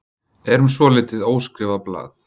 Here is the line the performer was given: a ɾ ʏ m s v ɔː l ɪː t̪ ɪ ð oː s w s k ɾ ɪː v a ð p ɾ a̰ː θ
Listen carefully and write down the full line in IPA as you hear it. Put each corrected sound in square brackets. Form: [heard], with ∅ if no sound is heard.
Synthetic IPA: [ɛ] ɾ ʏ m s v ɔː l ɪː t̪ ɪ ð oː [∅] w s k ɾ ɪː v a ð p [l] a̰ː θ